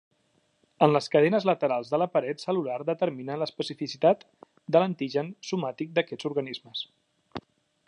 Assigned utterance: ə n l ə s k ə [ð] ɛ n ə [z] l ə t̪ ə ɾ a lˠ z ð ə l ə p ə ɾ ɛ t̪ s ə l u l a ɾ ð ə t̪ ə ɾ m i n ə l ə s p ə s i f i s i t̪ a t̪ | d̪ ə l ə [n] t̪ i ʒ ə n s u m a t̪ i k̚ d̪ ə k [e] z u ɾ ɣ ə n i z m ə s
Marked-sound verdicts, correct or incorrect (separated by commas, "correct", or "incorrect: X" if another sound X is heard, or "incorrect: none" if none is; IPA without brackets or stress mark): correct, correct, correct, incorrect: ɛ